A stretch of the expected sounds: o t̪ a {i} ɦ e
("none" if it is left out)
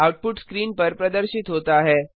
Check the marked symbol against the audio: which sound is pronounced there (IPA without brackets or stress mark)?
a